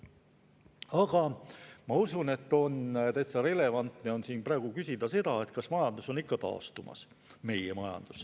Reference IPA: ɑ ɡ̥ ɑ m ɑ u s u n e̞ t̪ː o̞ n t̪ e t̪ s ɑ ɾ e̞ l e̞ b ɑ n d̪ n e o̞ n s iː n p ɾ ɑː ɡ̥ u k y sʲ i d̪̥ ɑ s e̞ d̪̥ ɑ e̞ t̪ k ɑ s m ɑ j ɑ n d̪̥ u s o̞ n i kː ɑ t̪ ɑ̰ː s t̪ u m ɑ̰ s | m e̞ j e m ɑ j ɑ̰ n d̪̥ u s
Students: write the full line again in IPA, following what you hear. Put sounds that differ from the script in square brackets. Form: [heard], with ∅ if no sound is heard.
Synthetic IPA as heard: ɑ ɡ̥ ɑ m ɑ u s u n e̞ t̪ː o̞ n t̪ e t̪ s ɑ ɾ e̞ l e̞ [v] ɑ n [t̪] n e o̞ n s iː n p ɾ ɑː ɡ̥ u k y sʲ i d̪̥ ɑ s e̞ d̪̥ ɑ e̞ t̪ k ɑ s m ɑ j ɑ n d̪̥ u s o̞ n i kː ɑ t̪ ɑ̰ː s t̪ u m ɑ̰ s | m e̞ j e m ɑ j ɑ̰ n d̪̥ u s